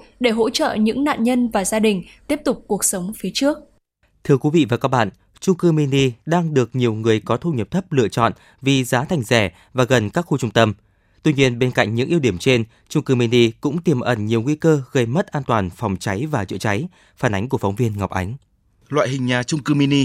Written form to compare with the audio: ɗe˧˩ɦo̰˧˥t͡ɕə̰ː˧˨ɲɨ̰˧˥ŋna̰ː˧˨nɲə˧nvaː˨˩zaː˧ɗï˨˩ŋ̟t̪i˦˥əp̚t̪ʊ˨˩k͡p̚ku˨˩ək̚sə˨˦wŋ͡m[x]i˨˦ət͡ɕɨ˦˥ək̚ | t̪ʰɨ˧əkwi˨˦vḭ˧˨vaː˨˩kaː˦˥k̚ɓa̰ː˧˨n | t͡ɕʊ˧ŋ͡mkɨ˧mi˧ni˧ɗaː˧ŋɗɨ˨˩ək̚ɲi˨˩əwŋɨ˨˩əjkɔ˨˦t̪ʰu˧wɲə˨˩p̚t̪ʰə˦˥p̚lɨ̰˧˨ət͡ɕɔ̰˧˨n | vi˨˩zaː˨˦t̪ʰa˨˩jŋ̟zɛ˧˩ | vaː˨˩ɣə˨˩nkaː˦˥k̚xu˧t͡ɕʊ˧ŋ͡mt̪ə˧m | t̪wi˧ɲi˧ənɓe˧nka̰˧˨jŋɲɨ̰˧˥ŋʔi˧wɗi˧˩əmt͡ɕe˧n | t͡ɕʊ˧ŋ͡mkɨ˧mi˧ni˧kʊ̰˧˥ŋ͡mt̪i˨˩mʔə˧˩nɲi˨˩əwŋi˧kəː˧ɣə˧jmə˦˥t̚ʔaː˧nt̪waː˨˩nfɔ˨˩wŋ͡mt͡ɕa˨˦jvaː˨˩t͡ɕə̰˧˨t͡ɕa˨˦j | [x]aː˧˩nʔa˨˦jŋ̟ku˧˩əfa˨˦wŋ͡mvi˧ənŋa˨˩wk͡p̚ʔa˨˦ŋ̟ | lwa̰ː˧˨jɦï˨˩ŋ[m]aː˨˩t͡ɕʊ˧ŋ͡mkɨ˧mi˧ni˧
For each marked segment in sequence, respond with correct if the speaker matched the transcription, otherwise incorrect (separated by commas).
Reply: incorrect, incorrect, incorrect